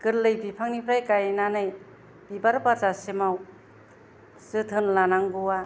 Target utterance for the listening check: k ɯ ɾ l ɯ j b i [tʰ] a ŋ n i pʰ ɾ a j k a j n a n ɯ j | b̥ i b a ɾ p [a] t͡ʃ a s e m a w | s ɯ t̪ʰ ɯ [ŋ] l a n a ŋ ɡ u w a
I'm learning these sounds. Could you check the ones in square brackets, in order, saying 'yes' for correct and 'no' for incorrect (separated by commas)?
no, yes, no